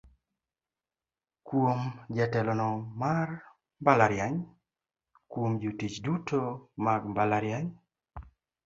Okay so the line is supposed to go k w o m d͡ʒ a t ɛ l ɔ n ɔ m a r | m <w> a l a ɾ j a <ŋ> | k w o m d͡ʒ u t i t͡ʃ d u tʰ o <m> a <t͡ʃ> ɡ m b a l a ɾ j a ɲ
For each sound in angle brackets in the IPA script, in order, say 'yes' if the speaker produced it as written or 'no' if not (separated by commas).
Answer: no, no, yes, no